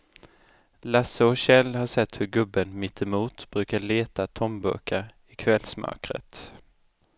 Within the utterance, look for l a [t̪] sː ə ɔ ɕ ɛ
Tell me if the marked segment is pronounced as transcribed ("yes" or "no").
no